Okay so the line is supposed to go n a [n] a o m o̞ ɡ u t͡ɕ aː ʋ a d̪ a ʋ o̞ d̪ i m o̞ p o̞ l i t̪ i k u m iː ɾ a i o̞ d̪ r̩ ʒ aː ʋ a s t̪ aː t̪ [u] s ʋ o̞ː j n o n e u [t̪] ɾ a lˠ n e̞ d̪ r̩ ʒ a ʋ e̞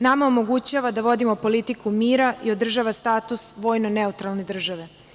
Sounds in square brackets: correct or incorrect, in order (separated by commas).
incorrect, correct, correct